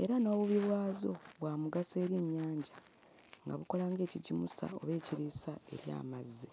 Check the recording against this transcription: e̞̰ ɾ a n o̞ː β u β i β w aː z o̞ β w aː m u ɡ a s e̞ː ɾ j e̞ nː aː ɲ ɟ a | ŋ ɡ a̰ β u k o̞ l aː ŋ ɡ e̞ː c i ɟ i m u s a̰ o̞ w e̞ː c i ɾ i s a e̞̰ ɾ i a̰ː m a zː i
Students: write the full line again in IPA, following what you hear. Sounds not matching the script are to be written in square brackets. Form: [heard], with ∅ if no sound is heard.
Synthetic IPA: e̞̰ ɾ a n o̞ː β u β i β w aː z o̞ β w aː m u ɡ a s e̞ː ɾ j e̞ [ɲː] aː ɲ ɟ a | ŋ ɡ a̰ β u k o̞ l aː ŋ ɡ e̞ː c i ɟ i m u s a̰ o̞ [β] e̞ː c i ɾ i s a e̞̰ ɾ [j] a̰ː m a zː i